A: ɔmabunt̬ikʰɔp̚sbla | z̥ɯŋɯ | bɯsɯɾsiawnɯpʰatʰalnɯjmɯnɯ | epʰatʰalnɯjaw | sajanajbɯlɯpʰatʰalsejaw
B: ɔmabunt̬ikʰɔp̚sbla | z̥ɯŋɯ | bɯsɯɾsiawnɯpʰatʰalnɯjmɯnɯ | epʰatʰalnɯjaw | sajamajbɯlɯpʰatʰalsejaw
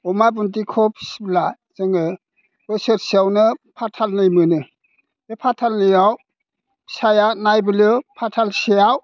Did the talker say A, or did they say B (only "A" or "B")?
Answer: A